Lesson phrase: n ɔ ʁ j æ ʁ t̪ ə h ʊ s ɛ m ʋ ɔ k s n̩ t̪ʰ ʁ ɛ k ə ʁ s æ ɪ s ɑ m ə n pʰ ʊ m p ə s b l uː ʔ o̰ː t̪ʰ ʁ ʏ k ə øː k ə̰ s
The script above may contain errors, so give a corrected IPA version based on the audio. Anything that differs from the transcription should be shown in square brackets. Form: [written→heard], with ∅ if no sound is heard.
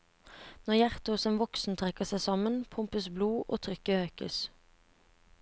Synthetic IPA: n ɔ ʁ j æ ʁ t̪ ə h ʊ s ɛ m ʋ ɔ k s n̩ t̪ʰ ʁ ɛ k ə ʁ s æ ɪ s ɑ m ə n pʰ ʊ m p ə s b l uː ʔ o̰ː t̪ʰ ʁ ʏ k ə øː k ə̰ s